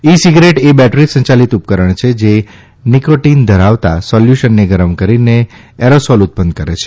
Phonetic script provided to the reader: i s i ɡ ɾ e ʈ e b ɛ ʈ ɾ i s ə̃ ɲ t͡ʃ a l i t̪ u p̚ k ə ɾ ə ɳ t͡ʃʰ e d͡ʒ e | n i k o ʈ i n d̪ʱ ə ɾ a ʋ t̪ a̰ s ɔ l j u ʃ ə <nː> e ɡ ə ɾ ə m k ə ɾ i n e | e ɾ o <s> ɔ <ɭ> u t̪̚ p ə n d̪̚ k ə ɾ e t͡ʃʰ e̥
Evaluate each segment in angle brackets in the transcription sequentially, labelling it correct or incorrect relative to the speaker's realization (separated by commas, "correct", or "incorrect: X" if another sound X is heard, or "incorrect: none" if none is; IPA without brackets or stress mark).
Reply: correct, correct, incorrect: l